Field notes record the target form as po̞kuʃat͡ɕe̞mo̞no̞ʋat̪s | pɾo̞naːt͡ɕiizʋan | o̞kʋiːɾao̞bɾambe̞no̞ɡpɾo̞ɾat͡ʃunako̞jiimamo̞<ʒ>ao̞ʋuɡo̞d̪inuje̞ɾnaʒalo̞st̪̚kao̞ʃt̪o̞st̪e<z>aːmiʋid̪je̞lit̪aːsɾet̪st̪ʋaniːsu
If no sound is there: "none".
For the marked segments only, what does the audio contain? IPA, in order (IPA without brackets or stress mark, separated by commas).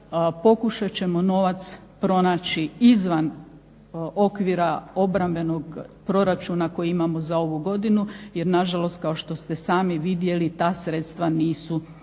z, s